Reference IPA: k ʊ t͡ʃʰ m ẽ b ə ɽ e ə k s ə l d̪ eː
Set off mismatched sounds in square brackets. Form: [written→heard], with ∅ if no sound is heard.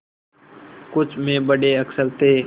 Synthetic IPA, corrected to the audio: k ʊ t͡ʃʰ m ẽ b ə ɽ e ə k s ə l [d̪→t̪] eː